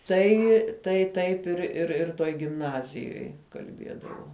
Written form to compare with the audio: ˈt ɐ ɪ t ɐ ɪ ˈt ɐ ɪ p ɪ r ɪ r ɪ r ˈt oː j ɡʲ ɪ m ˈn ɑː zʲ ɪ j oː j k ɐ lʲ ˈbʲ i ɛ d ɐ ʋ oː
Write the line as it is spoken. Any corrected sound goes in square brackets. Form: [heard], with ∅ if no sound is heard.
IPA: ˈt ɐ ɪ t ɐ ɪ ˈt ɐ ɪ p ɪ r ɪ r ɪ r ˈt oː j ɡʲ ɪ m ˈn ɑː zʲ ɪ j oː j k ɐ lʲ ˈbʲ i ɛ d ɐ ʋ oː